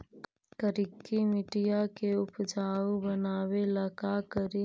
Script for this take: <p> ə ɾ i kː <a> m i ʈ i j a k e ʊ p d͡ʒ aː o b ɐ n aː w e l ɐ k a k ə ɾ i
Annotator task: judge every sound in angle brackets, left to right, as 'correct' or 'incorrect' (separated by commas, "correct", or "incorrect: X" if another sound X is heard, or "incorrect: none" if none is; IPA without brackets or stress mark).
incorrect: k, incorrect: i